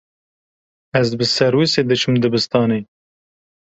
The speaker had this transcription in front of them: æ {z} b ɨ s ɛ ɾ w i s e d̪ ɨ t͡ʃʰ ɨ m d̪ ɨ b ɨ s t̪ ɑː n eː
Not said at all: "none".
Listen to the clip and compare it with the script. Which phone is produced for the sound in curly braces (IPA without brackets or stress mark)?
z